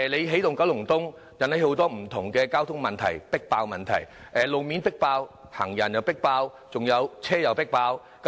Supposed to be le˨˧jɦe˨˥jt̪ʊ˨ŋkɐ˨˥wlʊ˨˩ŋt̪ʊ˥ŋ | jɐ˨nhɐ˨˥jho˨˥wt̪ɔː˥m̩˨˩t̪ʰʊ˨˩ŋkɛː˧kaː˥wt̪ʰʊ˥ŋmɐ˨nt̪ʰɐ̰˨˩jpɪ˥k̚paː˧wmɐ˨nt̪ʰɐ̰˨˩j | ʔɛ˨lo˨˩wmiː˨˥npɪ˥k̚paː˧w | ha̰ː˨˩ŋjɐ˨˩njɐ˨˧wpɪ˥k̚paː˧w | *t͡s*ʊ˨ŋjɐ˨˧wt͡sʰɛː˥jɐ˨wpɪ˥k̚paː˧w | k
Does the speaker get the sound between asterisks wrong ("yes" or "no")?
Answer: no